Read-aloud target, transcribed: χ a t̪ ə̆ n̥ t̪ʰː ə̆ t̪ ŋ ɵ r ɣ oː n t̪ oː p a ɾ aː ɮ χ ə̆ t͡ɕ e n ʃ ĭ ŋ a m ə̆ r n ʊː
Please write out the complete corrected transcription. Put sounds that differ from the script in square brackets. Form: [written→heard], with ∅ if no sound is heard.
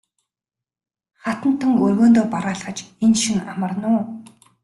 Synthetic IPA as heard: χ a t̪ ə̆ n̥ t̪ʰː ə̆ [t̪→∅] ŋ ɵ r ɣ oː n t̪ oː p a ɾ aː ɮ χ ə̆ t͡ɕ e n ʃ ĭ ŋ a m ə̆ r n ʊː